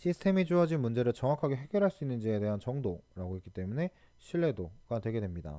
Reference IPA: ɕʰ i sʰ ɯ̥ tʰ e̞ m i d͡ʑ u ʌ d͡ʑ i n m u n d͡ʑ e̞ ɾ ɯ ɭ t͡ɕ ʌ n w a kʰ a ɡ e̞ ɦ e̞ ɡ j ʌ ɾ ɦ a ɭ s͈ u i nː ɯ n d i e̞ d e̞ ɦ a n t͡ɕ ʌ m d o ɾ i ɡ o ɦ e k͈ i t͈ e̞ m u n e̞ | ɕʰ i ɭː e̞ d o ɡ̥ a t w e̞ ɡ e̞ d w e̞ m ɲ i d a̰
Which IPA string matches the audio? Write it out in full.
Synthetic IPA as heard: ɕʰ i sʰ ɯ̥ tʰ e̞ m i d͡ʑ u ʌ d͡ʑ i n m u n d͡ʑ e̞ ɾ ɯ ɭ t͡ɕ ʌ ŋ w a kʰ a ɡ e̞ ɦ e̞ ɡ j ʌ ɾ ɦ a ɭ s͈ u i nː ɯ n d͡ʑ i e̞ d e̞ ɦ a n t͡ɕ ʌ ŋ d o ɾ a ɡ o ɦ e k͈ i t͈ e̞ m u n e̞ | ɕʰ i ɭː e̞ d o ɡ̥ a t w e̞ ɡ e̞ d w e̞ m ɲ i d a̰